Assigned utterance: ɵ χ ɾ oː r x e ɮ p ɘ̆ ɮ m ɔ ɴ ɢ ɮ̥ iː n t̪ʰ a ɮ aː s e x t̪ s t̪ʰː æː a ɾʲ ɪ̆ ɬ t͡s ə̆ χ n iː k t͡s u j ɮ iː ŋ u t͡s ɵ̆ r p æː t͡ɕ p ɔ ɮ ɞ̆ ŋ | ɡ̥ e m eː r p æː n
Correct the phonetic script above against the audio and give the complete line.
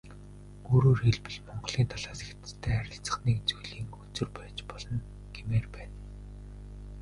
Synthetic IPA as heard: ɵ ɾ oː r x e ɮ p ɘ̆ ɮ m ɔ ɴ ɢ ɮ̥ iː n t̪ʰ a ɮ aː s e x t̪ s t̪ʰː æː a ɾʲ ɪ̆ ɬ t͡s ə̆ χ n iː k t͡s u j ɮ iː ŋ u t͡s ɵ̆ r p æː t͡ɕ p ɔ ɮ ɞ̆ n | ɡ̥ e m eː r p æː n